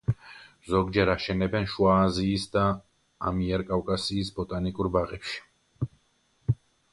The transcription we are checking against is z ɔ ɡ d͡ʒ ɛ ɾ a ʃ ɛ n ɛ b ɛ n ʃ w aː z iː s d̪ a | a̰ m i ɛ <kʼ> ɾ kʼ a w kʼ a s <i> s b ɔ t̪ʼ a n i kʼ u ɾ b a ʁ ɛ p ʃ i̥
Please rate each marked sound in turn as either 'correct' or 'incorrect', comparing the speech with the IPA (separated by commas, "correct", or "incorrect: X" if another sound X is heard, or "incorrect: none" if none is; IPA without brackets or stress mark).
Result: incorrect: none, incorrect: iː